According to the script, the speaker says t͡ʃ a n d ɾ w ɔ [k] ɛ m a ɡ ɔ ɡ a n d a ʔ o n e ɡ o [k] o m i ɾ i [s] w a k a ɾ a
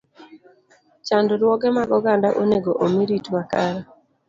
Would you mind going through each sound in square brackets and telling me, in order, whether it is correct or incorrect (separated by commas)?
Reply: incorrect, incorrect, incorrect